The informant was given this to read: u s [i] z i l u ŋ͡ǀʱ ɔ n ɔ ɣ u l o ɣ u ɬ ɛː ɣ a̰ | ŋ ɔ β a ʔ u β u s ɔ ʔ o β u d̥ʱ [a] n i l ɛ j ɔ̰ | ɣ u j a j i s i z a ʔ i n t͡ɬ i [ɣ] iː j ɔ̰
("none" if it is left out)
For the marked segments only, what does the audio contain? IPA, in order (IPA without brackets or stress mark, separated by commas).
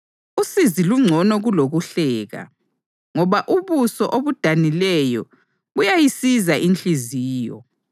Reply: i, a, z